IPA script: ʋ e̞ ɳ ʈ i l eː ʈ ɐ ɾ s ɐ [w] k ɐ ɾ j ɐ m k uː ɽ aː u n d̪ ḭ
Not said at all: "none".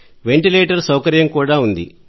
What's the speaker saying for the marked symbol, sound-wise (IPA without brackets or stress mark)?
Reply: w